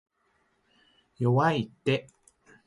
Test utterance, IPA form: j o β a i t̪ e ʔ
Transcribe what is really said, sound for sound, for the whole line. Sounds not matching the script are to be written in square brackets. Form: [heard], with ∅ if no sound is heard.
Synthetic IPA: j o [w] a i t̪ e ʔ

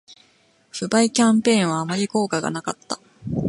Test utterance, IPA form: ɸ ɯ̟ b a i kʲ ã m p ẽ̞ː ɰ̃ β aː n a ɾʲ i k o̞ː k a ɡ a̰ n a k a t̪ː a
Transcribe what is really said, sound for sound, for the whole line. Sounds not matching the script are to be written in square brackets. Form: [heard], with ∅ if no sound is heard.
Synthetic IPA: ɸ ɯ̟ b a i kʲ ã m p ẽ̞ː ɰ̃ β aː [m] a ɾʲ i k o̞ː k a ɡ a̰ n a k a t̪ː a

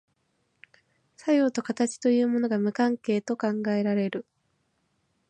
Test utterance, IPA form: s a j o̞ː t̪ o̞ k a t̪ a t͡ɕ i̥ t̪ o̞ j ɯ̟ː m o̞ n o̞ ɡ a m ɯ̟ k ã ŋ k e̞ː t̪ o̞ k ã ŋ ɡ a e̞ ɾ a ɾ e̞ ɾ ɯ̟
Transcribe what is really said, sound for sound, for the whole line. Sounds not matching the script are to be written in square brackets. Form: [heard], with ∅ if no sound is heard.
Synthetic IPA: s a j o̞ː t̪ o̞ k a t̪ a t͡ɕ i̥ t̪ o̞ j ɯ̟ː m o̞ n o̞ ɡ a m ɯ̟ k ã ŋ k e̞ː t̪ o̞ k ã ŋ ɡ a e̞ ɾ a ɾ e̞ ɾ ɯ̟

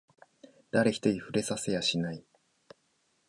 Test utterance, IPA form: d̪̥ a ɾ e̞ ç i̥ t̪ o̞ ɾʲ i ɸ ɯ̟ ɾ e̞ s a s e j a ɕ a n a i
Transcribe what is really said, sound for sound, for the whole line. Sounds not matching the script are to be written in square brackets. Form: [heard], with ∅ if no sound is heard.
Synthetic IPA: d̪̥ a ɾ e̞ ç i̥ t̪ o̞ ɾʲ i ɸ ɯ̟ ɾ e̞ s a s e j a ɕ [i] n a i

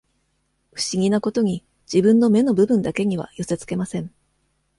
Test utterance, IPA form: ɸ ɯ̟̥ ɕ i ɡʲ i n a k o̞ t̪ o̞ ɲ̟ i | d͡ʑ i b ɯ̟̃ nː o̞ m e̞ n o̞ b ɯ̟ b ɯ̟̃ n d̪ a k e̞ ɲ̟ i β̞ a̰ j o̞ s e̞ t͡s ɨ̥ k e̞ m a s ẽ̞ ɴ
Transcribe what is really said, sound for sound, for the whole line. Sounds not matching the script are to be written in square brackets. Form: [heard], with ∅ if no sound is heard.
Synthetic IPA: ɸ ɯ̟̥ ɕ i ɡʲ i n a k o̞ t̪ o̞ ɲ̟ i | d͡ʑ i b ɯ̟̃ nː o̞ m e̞ n o̞ b ɯ̟ b ɯ̟̃ n d̪ a k e̞ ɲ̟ i β̞ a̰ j o̞ s e̞ t͡s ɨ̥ k e̞ m a s ẽ̞ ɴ

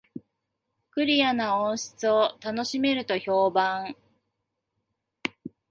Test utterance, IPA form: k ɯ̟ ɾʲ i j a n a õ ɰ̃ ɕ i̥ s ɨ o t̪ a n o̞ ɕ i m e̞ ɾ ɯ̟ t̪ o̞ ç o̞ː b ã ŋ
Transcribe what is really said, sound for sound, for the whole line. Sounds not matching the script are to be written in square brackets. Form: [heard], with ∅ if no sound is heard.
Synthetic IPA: k ɯ̟ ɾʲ i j a n a õ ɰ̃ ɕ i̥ [t͡s] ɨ o t̪ a n o̞ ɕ i m e̞ ɾ ɯ̟ t̪ o̞ ç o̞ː b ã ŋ

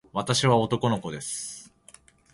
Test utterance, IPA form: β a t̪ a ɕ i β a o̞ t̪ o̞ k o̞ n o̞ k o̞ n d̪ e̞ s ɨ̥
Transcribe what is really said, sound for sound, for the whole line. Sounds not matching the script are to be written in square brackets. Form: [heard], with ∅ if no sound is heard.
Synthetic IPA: β a t̪ a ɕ i β a o̞ t̪ o̞ k o̞ n o̞ k o̞ [∅] d̪ e̞ s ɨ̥

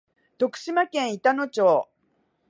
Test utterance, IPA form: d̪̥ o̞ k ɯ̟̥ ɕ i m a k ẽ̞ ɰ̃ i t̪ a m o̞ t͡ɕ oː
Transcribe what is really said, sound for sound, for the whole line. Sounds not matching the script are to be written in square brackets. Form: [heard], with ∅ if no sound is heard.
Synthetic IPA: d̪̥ o̞ k ɯ̟̥ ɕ i m a k ẽ̞ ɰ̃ i t̪ a [n] o̞ t͡ɕ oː

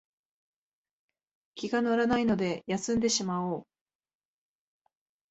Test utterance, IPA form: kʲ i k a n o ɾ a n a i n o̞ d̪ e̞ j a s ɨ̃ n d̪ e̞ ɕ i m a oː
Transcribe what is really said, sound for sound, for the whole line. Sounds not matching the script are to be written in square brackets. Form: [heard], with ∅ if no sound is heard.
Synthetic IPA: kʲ i [ɡ] a n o ɾ a n a i n o̞ d̪ e̞ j a s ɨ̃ n d̪ e̞ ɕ i m a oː

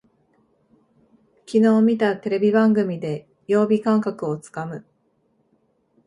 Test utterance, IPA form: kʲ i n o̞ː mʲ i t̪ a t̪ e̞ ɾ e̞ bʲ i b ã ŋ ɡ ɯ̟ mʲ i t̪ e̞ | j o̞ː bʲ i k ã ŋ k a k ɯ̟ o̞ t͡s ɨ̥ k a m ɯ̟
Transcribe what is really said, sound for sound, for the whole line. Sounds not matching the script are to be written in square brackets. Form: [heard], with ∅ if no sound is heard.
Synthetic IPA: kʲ i n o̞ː mʲ i t̪ a t̪ e̞ ɾ e̞ bʲ i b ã ŋ ɡ ɯ̟ mʲ i [d̪] e̞ | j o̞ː bʲ i k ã ŋ k a k ɯ̟ o̞ t͡s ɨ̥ k a m ɯ̟

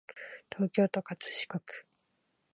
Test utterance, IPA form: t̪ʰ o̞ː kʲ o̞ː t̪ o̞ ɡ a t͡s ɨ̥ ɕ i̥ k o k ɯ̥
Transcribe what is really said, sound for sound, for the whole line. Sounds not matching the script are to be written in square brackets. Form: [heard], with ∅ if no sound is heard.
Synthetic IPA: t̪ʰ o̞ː kʲ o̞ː t̪ o̞ [k] a t͡s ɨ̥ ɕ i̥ k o k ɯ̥

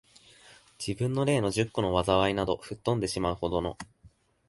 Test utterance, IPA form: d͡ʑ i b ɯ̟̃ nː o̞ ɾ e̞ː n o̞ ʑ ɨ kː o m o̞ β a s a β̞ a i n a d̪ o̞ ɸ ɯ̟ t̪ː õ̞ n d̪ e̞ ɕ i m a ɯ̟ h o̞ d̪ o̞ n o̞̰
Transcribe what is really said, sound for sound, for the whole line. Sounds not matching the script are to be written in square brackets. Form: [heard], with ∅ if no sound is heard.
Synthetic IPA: d͡ʑ i b ɯ̟̃ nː o̞ ɾ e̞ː n o̞ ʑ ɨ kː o [n] o̞ β a [z] a β̞ a i n a d̪ o̞ ɸ ɯ̟ t̪ː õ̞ n d̪ e̞ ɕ i m a ɯ̟ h o̞ d̪ o̞ n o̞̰

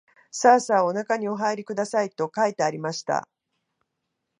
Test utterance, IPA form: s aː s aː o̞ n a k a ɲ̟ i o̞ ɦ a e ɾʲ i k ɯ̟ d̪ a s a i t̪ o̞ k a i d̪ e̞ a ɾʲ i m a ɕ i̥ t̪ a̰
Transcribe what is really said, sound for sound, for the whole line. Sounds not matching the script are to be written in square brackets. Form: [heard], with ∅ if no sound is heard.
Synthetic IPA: s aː s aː o̞ n a k a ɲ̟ i o̞ ɦ a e ɾʲ i k ɯ̟ d̪ a s a i t̪ o̞ k a i [t̪] e̞ a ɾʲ i m a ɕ i̥ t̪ a̰

